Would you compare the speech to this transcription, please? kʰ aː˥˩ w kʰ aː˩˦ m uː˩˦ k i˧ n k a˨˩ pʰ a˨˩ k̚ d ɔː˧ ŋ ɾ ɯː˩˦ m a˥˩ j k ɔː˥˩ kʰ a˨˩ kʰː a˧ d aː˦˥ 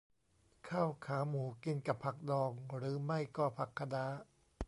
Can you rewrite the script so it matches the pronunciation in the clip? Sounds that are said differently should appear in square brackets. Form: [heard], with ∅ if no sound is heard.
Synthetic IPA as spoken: kʰ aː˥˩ w kʰ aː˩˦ m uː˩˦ k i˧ n k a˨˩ pʰ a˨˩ k̚ d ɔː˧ ŋ ɾ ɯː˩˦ m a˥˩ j k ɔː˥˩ [pʰ] a˨˩ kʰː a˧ d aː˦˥